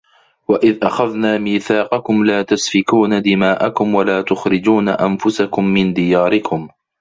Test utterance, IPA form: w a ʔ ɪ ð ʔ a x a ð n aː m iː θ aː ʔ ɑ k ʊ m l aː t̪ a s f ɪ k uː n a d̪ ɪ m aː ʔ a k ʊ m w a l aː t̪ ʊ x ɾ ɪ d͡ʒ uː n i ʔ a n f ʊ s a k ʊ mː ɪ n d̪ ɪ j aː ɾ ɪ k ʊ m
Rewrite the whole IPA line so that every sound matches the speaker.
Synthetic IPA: w a ʔ ɪ ð ʔ a x a ð n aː m iː θ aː q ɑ k ʊ m l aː t̪ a s f ɪ k uː n a d̪ ɪ m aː ʔ a k ʊ m w a l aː t̪ ʊ x ɾ ɪ d͡ʒ uː n a ʔ a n f ʊ s a k ʊ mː ɪ n d̪ ɪ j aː ɾ ɪ k ʊ m